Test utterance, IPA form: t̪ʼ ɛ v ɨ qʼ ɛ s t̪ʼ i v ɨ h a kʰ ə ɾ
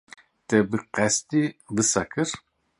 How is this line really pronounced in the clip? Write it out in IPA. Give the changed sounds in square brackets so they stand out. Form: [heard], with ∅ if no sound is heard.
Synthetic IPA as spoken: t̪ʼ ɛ [b] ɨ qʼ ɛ s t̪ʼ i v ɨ [s] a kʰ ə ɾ